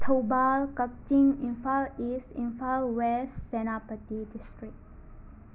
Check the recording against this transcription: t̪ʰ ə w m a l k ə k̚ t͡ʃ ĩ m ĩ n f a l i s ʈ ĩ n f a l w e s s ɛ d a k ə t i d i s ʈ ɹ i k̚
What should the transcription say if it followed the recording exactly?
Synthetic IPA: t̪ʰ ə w b a l k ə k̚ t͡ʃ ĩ ŋ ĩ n f a l i s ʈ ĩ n f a l w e s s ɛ n a p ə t i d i s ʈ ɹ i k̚